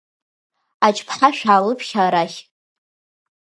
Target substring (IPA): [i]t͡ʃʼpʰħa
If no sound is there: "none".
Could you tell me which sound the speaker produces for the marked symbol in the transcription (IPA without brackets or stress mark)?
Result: a